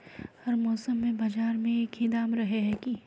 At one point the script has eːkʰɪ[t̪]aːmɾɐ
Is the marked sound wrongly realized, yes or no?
yes